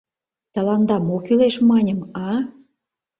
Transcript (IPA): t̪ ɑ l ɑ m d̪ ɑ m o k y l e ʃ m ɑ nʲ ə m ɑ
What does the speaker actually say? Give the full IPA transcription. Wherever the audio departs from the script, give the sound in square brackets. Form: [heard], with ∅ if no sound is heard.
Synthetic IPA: t̪ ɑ l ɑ [n] d̪ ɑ m o k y l e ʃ m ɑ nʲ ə m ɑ